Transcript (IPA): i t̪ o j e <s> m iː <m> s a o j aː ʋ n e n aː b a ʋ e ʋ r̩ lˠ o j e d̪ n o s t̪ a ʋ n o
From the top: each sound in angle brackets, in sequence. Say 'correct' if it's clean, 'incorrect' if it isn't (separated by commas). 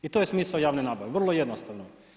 correct, incorrect